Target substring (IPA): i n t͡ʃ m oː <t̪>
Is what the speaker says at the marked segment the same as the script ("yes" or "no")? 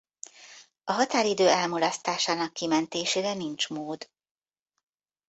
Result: no